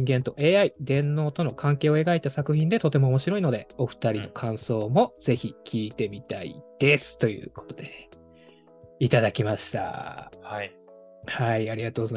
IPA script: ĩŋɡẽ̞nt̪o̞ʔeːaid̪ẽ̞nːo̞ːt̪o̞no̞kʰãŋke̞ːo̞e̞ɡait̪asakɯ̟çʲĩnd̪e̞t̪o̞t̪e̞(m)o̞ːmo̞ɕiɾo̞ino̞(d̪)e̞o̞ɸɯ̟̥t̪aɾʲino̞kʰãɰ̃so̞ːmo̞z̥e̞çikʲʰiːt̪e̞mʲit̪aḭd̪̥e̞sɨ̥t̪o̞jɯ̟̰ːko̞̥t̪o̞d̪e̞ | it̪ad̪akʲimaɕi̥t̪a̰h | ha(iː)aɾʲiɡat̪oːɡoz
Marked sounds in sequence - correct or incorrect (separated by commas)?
correct, correct, incorrect